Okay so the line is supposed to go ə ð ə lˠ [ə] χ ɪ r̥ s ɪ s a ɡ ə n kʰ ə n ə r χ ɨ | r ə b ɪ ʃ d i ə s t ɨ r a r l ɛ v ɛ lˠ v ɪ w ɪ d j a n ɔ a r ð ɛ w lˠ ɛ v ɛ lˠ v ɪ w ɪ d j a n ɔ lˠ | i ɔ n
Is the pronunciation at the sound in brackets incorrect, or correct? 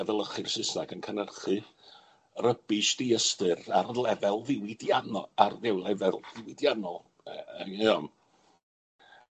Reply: correct